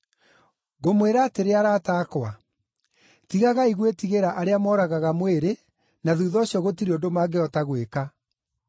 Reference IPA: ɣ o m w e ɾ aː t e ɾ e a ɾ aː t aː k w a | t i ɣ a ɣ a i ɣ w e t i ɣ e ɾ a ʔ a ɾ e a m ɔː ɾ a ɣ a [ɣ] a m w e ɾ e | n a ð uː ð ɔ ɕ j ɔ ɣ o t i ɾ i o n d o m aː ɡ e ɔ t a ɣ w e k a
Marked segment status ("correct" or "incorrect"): correct